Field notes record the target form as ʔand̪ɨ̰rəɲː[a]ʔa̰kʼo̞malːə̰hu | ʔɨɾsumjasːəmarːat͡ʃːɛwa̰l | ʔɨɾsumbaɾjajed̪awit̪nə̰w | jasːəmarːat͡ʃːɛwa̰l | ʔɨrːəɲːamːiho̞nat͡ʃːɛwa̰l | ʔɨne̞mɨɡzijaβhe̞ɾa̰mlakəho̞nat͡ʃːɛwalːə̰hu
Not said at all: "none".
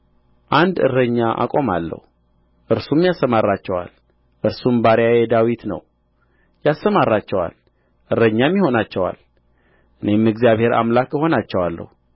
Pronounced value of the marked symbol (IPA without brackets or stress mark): a